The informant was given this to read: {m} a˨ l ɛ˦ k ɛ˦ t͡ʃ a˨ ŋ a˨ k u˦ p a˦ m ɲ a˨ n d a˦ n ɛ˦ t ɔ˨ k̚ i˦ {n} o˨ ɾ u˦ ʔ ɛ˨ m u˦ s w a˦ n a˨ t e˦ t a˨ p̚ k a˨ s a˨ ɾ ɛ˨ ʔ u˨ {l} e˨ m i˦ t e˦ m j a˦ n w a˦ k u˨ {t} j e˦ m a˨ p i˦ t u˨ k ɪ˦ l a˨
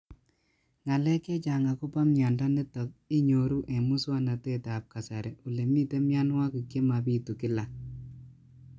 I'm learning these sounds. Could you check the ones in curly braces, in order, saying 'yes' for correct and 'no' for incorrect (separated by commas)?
no, no, yes, no